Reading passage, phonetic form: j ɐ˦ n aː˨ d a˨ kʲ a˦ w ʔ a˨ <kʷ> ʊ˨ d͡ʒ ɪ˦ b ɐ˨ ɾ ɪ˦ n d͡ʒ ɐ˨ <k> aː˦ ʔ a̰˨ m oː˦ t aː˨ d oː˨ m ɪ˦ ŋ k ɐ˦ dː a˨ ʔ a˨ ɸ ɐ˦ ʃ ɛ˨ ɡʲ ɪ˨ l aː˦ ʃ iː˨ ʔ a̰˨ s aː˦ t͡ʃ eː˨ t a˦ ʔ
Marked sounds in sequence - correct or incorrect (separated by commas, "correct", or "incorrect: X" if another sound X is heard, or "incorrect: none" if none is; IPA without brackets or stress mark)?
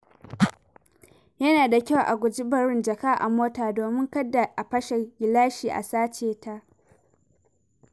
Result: incorrect: ɡʷ, correct